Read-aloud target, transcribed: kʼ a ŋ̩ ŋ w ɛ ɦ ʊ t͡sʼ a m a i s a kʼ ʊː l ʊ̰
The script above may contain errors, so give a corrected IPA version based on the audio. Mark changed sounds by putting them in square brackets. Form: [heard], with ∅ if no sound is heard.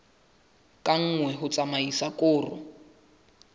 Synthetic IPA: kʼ a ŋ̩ ŋ w ɛ ɦ ʊ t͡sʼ a m a i s a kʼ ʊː [r] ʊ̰